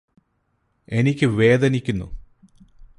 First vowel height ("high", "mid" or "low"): mid